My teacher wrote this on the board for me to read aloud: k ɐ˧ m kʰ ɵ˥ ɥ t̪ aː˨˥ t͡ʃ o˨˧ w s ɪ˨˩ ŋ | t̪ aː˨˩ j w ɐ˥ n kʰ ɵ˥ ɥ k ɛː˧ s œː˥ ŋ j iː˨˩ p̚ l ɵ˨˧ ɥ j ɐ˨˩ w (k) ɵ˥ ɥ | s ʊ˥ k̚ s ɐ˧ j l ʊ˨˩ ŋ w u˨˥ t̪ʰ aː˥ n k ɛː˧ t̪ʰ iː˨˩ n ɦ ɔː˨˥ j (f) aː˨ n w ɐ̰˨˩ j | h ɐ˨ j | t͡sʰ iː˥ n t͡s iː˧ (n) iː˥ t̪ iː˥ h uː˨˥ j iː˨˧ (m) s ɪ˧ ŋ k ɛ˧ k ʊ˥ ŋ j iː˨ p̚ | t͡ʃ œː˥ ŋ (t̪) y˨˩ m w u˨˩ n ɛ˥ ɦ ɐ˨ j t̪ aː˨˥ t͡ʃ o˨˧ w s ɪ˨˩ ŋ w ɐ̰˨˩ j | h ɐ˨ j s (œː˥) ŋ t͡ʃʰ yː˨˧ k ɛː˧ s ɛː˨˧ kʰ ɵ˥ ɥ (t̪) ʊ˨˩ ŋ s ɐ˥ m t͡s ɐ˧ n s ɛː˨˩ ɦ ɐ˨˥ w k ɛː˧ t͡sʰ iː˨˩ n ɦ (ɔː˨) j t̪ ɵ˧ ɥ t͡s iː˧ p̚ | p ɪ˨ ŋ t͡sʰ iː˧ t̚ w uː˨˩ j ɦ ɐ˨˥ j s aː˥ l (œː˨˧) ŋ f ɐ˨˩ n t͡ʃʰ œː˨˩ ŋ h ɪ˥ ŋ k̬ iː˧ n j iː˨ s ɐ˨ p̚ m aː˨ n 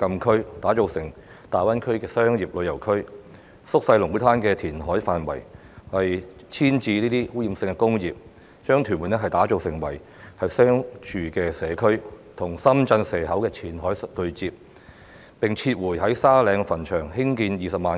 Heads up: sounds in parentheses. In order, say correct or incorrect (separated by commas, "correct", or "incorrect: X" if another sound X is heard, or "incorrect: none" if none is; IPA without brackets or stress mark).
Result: incorrect: kʰ, correct, correct, correct, incorrect: t̪ʰ, correct, incorrect: t̪ʰ, incorrect: ɔː˨˥, incorrect: ɛː˨˧